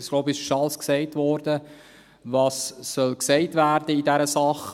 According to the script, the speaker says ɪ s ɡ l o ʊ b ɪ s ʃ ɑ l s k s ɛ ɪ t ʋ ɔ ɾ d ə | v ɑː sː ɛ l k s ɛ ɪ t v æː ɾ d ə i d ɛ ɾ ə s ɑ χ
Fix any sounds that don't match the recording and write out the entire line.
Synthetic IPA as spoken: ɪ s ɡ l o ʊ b ɪ ʃ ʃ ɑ l s k s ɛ ɪ t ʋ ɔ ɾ d ə | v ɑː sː œ l k s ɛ ɪ t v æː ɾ d ə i d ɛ ɾ ə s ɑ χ